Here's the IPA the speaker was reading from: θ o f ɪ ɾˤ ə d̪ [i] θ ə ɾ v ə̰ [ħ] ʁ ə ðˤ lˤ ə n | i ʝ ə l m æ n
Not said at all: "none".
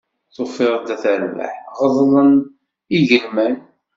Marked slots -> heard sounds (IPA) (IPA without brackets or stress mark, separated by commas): æ, ħ